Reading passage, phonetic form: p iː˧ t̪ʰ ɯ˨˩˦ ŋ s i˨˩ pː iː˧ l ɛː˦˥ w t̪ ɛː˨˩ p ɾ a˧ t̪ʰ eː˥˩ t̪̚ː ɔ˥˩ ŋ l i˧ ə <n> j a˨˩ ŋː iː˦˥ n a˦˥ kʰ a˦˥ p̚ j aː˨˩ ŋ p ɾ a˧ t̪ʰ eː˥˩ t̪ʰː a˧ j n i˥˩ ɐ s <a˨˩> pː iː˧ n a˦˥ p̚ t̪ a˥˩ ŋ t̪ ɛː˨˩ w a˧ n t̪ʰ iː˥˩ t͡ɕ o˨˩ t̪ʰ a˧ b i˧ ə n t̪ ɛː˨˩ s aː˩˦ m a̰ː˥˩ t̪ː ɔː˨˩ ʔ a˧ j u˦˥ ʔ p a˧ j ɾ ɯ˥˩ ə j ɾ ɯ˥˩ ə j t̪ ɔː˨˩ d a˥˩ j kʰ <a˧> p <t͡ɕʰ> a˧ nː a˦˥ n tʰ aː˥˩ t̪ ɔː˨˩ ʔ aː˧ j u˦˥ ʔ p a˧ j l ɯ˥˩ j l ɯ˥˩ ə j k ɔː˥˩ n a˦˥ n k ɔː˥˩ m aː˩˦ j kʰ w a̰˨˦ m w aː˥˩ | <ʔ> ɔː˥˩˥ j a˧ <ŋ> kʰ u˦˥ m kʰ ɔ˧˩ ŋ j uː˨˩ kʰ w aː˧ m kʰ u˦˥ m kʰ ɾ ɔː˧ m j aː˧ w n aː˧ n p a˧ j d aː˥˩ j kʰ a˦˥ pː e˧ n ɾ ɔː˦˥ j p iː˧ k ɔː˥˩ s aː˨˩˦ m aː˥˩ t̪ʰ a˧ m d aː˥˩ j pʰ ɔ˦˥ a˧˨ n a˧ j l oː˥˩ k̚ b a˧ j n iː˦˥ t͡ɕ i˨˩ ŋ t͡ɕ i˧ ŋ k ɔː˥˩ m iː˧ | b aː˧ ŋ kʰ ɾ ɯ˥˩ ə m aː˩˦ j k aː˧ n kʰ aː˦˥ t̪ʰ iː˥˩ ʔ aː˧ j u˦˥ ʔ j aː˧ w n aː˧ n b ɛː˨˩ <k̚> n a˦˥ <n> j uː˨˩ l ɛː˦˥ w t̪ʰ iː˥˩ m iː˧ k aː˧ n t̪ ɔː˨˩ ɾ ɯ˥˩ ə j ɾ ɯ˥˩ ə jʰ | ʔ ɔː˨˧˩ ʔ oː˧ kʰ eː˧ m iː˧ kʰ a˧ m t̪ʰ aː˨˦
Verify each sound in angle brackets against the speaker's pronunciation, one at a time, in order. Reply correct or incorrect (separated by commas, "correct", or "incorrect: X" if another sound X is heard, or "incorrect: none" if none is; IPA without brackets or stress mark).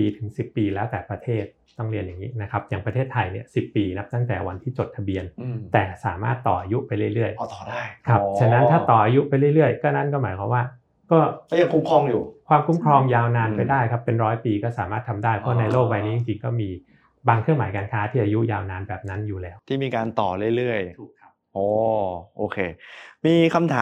correct, incorrect: i˨˩, incorrect: a˦˥, correct, incorrect: k, correct, incorrect: p̚, correct